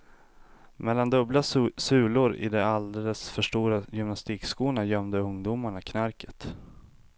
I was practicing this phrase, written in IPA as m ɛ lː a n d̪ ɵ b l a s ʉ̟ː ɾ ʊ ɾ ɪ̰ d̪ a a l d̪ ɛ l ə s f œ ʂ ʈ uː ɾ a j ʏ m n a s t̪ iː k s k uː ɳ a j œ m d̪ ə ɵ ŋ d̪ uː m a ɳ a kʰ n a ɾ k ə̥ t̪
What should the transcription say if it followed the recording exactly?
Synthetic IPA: m ɛ lː a n d̪ ɵ b l a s ʉ̟ː l ʊ ɾ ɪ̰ d̪ ɛ a l d̪ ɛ l ə s f œ ʂ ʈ uː ɾ a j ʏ m n a s t̪ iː k s k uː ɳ a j œ m d̪ ə ɵ ŋ d̪ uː m a ɳ a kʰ n a ɾ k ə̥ t̪